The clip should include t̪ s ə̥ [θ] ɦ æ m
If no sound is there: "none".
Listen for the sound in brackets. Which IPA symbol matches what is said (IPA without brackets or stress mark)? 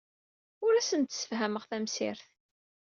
f